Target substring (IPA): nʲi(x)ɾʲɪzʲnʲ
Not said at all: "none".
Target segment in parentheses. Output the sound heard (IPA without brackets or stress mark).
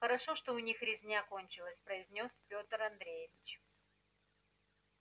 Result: x